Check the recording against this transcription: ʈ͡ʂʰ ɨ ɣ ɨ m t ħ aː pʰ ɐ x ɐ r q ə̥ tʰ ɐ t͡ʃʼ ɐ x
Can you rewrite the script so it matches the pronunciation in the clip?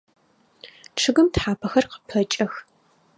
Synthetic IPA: ʈ͡ʂʰ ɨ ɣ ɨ m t ħ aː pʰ ɐ x ɐ r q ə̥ pʰ ɐ t͡ʃʼ ɐ x